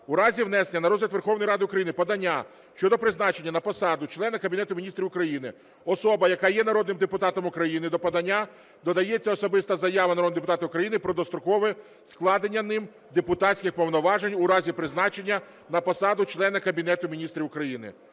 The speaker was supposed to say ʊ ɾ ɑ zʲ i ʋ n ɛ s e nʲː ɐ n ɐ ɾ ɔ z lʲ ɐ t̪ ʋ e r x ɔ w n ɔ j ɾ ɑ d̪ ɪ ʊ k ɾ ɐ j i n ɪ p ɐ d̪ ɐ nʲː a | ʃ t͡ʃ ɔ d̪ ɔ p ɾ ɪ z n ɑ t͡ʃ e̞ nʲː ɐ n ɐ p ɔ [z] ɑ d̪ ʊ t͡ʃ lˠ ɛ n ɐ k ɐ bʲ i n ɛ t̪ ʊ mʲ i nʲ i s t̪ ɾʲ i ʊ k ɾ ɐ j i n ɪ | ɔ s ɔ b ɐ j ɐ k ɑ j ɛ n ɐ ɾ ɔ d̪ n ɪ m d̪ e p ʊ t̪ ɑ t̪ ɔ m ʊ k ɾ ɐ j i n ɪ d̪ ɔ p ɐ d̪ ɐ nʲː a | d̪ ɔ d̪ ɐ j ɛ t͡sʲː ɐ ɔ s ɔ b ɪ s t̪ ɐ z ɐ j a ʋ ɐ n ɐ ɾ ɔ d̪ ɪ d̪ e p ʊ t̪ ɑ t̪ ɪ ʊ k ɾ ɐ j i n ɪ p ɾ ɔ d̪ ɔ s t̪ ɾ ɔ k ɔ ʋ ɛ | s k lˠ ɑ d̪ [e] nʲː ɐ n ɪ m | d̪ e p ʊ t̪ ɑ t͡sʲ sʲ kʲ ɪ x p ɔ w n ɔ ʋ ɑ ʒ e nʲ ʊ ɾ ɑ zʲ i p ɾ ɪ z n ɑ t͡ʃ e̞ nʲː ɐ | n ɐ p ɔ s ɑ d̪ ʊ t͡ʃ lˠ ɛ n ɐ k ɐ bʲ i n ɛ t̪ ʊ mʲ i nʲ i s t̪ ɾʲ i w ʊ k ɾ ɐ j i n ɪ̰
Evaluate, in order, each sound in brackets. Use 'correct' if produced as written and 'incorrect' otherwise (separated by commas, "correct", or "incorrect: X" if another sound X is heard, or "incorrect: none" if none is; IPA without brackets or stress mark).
incorrect: s, correct